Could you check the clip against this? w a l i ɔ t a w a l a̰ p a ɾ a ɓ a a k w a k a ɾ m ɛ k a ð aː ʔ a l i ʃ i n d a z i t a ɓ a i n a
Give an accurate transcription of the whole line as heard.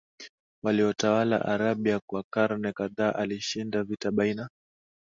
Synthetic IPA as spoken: w a l i ɔ t a w a l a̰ ʔ a ɾ a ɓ i a k w a k a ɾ n ɛ k a ð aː ʔ a l i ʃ i n d a v i t a ɓ a i n a

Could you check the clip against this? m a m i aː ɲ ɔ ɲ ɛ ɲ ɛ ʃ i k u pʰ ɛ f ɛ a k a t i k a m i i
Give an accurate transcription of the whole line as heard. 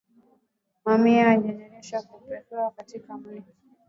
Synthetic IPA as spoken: m a m i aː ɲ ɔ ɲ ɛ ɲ ɛ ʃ a k u p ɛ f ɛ a k a t i k a m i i

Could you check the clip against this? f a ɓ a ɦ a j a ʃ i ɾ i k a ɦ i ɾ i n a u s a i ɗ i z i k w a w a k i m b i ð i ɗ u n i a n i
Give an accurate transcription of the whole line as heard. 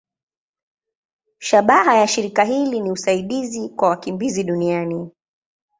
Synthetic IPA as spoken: ʃ a ɓ a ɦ a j a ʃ i ɾ i k a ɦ i l i n i u s a i ɗ i z i k w a w a k i m b i z i ɗ u n i a n i

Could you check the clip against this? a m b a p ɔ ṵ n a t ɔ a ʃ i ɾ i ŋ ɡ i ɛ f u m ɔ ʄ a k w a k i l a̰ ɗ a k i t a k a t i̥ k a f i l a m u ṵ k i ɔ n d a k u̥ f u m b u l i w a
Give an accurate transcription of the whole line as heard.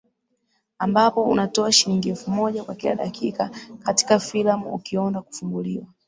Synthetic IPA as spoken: a m b a p ɔ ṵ n a t ɔ a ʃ i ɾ i ŋ ɡ i ɛ f u m ɔ ʄ a k w a k i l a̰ ɗ a k i k a k a t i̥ k a f i l a m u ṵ k i ɔ n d a k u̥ f u m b u l i w a

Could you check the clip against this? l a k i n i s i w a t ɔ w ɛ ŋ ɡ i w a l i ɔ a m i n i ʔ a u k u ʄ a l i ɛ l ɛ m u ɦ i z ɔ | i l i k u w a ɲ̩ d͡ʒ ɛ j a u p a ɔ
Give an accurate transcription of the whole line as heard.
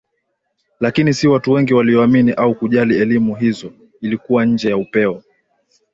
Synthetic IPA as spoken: l a k i n i s i w a t u w ɛ ŋ ɡ i w a l i ɔ a m i n i ʔ a u k u ʄ a l i ɛ l i m u ɦ i z ɔ | i l i k u w a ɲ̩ d͡ʒ ɛ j a u p ɛ ɔ

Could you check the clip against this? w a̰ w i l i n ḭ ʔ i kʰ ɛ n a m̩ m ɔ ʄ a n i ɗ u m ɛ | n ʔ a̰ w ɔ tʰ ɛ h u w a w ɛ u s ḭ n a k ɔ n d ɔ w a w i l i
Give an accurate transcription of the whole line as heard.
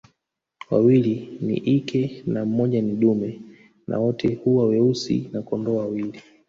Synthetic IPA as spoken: w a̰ w i l i n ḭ ʔ i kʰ ɛ n a m̩ m ɔ ʄ a n i ɗ u m ɛ | n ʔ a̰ w ɔ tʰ ɛ h u w a w ɛ u s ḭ n a k ɔ n d ɔ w a w i l i

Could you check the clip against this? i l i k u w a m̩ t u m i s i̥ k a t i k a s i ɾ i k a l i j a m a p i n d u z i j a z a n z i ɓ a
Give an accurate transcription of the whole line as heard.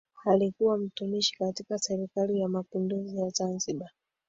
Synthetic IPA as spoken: a l i k u w a m̩ t u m i ʃ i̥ k a t i k a s ɛ ɾ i k a l i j a m a p i n d u z i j a z a n z i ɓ a

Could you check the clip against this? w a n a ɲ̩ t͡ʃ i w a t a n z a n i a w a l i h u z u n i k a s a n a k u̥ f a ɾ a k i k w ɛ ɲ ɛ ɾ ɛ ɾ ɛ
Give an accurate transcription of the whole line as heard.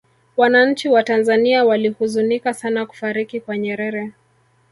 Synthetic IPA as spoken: w a n a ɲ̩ t͡ʃ i w a t a n z a n i a w a l i h u z u n i k a s a n a k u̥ f a ɾ i k i k w a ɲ ɛ ɾ ɛ ɾ ɛ

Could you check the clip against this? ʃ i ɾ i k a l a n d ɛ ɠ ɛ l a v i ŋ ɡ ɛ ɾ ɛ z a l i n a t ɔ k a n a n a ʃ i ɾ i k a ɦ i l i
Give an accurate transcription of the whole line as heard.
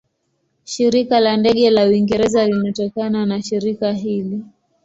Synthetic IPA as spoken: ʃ i ɾ i k a l a n d ɛ ɠ ɛ l a w i ŋ ɡ ɛ ɾ ɛ z a l i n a t ɔ k a n a n a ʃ i ɾ i k a ɦ i l i

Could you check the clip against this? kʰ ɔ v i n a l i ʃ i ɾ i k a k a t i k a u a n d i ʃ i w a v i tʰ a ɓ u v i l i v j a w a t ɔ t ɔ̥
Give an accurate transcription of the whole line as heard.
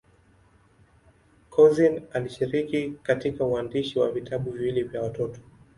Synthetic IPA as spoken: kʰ ɔ z i n a l i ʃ i ɾ i k i k a t i k a u a n d i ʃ i w a v i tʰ a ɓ u v i l i v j a w a t ɔ t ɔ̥

